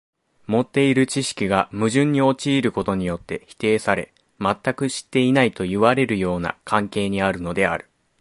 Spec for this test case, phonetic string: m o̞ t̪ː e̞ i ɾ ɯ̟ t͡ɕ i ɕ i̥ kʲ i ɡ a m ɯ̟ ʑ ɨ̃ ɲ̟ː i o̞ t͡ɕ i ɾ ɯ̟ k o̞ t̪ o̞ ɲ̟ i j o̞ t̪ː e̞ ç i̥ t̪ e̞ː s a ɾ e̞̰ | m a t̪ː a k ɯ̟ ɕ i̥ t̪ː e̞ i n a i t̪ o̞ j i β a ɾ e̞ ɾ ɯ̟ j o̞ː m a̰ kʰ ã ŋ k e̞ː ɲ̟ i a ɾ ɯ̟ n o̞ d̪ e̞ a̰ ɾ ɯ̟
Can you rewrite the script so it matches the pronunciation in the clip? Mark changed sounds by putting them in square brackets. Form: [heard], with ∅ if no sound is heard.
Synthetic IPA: m o̞ t̪ː e̞ i ɾ ɯ̟ t͡ɕ i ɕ i̥ kʲ i ɡ a m ɯ̟ ʑ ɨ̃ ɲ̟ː i o̞ t͡ɕ [iː] ɾ ɯ̟ k o̞ t̪ o̞ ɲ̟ i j o̞ t̪ː e̞ ç i̥ t̪ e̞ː s a ɾ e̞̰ | m a t̪ː a k ɯ̟ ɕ i̥ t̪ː e̞ i n a i t̪ o̞ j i β a ɾ e̞ ɾ ɯ̟ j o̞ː [n] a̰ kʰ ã ŋ k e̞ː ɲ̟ i a ɾ ɯ̟ n o̞ d̪ e̞ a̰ ɾ ɯ̟